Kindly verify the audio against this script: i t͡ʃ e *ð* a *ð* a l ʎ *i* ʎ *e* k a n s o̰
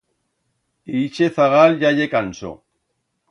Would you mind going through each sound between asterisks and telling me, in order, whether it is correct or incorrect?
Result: incorrect: θ, incorrect: ɣ, incorrect: a, correct

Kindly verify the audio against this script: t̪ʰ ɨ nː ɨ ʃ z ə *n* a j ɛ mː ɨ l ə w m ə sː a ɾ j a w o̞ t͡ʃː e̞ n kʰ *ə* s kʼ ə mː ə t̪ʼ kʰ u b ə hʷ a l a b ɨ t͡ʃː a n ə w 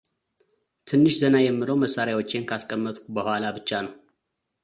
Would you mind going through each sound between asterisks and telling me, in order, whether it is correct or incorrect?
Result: correct, incorrect: a

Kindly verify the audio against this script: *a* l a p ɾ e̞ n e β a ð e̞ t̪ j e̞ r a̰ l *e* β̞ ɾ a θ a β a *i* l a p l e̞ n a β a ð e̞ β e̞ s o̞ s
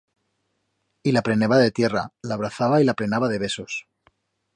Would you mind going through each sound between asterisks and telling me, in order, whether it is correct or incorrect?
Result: incorrect: i, incorrect: a, correct

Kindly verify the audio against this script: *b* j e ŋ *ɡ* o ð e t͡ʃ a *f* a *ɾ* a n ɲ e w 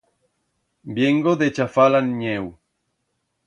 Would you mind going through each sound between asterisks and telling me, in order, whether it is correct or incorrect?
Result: correct, correct, correct, incorrect: l

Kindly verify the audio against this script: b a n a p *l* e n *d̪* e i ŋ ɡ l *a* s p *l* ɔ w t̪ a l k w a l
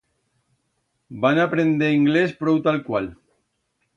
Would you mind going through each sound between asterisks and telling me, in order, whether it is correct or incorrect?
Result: incorrect: ɾ, correct, incorrect: e, incorrect: ɾ

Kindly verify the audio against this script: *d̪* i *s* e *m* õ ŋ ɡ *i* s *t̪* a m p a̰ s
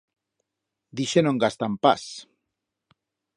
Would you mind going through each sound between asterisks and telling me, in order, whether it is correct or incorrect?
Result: correct, incorrect: ʃ, incorrect: n, incorrect: a, correct

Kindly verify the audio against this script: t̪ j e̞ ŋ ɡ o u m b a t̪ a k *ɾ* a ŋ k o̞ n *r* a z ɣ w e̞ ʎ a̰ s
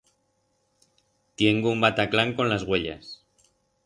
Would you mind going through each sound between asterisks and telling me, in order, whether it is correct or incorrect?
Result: incorrect: l, incorrect: l

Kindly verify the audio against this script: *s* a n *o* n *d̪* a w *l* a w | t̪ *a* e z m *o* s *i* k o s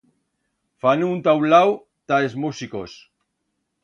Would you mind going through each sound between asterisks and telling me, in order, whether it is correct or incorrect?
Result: incorrect: f, incorrect: u, incorrect: t̪, correct, correct, incorrect: u, correct

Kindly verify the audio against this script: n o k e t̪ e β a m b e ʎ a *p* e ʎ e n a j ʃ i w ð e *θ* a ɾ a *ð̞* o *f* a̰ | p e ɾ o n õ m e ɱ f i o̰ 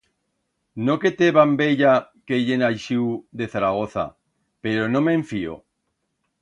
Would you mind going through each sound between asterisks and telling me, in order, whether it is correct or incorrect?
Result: incorrect: k, correct, incorrect: ɣ̞, incorrect: θ

